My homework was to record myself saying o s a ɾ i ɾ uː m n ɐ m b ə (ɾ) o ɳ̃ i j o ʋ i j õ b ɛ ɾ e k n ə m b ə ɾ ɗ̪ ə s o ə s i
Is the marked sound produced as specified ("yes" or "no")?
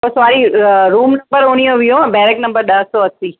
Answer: yes